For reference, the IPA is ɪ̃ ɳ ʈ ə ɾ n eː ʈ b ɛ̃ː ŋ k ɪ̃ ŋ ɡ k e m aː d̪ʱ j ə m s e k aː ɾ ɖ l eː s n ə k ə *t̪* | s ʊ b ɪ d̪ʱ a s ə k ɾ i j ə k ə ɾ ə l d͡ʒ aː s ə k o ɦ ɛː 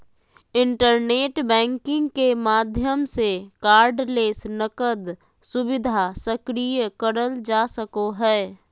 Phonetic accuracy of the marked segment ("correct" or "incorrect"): incorrect